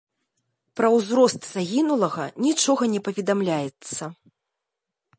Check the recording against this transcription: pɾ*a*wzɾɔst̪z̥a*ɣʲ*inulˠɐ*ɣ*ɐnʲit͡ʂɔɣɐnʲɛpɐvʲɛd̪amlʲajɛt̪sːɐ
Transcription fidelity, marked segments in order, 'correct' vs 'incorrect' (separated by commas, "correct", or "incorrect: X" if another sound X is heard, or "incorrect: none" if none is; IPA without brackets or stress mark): incorrect: ɐ, correct, correct